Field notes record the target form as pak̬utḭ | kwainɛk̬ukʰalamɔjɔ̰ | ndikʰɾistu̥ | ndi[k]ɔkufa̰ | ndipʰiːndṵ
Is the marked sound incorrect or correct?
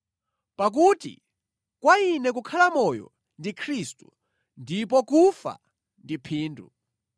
incorrect